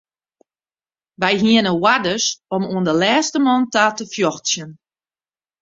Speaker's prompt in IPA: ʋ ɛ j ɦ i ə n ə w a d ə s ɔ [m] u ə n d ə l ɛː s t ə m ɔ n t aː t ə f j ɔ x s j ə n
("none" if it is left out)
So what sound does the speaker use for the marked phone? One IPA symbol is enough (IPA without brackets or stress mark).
m